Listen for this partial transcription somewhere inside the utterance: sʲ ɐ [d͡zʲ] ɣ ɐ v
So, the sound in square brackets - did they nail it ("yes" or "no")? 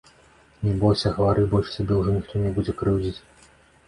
no